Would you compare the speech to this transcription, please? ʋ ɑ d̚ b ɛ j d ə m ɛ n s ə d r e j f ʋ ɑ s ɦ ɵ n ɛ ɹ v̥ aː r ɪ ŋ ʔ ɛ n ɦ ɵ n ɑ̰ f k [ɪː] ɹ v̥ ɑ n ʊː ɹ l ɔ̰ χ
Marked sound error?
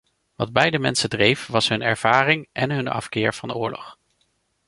no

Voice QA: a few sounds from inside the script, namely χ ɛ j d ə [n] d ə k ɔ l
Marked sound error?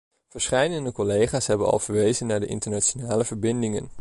no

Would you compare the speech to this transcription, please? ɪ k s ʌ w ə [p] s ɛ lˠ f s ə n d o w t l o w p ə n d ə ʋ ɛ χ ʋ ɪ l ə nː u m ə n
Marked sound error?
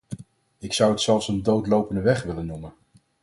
yes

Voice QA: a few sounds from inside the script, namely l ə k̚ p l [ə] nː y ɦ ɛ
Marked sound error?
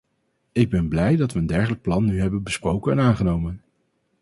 yes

